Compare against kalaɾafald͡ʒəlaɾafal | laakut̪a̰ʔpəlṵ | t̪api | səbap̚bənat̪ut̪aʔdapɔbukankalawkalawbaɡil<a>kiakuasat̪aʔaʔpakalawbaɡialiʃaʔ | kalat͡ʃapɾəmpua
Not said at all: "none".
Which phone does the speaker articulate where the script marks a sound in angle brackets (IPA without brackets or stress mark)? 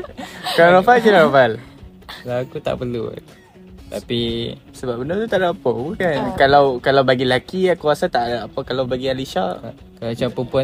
a